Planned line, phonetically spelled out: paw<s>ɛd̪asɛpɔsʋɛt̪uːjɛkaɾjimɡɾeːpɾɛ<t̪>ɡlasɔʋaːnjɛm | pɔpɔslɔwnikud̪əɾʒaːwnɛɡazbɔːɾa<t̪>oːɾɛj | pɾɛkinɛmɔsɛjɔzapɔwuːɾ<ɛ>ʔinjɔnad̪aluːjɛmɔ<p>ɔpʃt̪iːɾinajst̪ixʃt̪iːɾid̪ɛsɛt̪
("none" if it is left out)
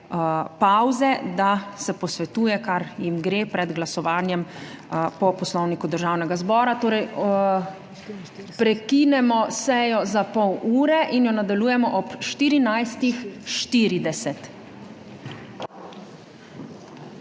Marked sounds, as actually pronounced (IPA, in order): z, d̪, t̪, ɛ, ʔ

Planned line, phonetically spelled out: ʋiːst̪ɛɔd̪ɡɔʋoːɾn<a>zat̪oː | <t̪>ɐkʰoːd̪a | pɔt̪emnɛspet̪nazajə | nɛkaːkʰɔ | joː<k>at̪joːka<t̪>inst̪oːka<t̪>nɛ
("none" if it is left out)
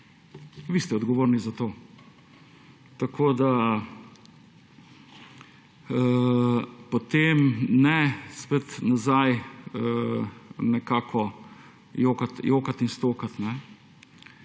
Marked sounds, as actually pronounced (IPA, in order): i, t̪, k, t̪, t̪

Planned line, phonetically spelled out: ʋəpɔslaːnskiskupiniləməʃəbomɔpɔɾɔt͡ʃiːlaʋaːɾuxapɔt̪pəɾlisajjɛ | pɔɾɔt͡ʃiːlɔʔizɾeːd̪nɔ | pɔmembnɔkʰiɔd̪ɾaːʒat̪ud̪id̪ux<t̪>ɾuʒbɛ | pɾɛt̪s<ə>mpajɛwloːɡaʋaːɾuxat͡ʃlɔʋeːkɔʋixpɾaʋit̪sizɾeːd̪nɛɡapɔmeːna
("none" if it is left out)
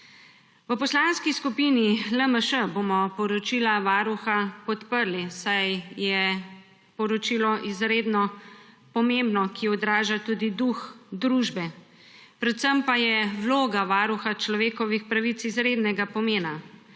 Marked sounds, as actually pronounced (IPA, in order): d̪, ə

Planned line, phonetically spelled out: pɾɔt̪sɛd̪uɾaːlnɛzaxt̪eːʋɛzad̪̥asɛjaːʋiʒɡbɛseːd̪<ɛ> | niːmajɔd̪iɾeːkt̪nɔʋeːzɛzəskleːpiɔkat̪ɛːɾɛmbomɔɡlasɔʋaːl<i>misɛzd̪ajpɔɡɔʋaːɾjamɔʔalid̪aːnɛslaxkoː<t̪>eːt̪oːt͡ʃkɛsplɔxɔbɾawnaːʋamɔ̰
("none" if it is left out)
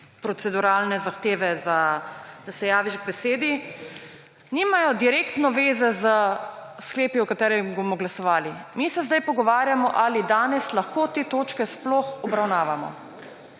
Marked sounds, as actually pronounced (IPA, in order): i, i, t̪

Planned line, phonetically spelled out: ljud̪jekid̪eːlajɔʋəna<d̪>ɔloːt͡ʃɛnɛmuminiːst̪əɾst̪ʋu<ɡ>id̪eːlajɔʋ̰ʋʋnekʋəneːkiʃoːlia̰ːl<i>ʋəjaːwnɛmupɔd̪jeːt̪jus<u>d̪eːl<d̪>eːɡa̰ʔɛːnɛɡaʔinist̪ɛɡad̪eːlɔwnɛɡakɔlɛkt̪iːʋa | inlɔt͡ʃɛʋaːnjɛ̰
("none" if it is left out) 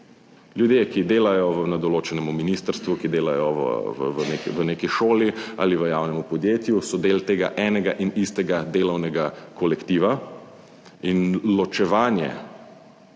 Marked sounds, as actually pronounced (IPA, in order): d̪, k, i, ɔ, t̪

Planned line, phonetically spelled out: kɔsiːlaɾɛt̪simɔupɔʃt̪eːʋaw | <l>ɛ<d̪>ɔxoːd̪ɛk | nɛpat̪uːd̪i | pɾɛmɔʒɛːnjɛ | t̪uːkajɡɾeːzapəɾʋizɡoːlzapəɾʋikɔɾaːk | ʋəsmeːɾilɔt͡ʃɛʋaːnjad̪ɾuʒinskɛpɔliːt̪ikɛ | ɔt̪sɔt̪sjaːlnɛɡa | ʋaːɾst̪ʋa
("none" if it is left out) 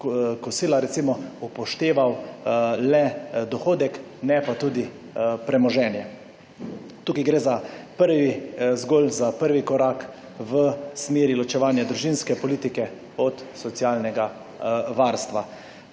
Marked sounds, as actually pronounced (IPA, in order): l, d̪

